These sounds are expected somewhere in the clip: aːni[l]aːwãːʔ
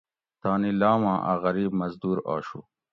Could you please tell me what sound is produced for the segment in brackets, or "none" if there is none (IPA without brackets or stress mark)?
l